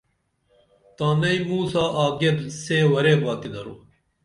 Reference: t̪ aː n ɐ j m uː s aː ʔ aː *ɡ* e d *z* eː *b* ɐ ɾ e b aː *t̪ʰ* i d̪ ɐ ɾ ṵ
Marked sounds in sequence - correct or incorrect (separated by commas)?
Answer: correct, incorrect, incorrect, incorrect